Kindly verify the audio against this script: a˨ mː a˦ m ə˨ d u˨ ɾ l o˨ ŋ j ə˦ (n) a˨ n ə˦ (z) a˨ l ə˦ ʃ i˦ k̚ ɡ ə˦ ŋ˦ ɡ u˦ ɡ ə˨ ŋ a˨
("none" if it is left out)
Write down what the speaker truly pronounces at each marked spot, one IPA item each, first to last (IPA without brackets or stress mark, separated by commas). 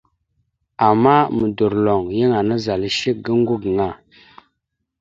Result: ŋ, z